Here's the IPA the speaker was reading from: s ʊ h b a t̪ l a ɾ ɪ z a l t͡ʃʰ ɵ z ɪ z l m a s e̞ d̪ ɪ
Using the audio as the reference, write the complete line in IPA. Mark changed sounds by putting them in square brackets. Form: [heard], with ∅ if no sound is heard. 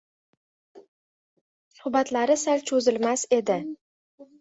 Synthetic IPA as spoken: s ʊ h b a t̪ l a ɾ ɪ [s] a l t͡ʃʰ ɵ z ɪ [∅] l m a s e̞ d̪ ɪ